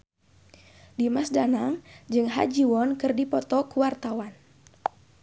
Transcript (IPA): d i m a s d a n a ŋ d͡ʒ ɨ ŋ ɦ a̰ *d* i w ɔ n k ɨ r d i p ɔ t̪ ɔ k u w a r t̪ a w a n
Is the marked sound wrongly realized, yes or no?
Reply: yes